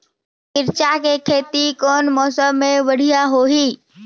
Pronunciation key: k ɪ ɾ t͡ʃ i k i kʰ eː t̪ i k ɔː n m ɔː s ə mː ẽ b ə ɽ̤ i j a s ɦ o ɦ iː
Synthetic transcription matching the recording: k ɪ ɾ t͡ʃ a k e kʰ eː t̪ i k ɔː n m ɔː s ə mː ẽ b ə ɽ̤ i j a ɦ o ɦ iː